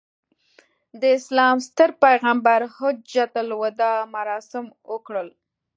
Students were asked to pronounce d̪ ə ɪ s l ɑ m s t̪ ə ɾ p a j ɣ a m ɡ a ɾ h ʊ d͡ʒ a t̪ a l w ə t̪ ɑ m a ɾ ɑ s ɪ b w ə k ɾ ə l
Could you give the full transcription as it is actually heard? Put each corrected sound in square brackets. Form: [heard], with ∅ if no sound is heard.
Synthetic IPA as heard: d̪ ə ɪ s l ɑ m s t̪ ə ɾ p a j ɣ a m [b] a ɾ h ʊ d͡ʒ a t̪ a l w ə [d̪] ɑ m a ɾ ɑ s ɪ [m] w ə k [ɽ] ə l